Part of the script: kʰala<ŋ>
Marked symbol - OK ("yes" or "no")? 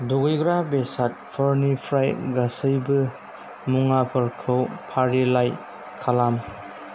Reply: no